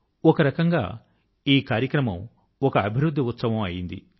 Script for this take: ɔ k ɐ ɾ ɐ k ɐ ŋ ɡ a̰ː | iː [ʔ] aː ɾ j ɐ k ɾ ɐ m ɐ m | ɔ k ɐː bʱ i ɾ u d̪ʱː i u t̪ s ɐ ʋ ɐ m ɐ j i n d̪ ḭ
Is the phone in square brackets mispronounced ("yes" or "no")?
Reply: yes